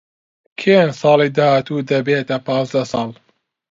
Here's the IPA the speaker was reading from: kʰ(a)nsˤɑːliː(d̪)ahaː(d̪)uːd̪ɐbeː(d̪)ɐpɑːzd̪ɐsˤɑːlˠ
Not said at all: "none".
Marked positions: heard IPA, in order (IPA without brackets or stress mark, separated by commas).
e, d̪, t̪, t̪